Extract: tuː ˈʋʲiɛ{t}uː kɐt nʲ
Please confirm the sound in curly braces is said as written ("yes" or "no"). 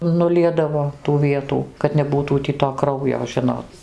yes